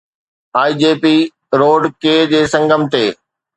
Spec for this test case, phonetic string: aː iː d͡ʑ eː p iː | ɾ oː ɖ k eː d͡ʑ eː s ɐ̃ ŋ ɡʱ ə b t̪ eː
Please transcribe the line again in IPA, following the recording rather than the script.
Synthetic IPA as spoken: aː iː d͡ʑ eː p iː | ɾ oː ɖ k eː d͡ʑ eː s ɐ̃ ŋ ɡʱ ə m t̪ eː